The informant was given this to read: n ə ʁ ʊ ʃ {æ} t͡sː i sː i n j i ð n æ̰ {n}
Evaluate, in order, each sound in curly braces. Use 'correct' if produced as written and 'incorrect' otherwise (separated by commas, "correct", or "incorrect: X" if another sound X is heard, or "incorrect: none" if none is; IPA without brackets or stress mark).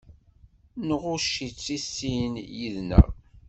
incorrect: i, incorrect: none